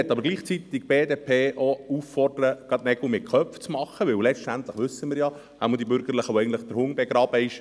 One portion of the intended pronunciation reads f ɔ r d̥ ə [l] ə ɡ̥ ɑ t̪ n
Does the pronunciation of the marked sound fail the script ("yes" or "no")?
yes